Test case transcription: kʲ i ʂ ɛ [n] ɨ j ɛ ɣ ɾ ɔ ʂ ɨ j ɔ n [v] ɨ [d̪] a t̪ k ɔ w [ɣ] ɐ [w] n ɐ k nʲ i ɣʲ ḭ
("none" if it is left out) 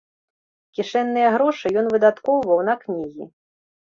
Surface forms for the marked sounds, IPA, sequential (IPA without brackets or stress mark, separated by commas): nː, v, d̪, v, w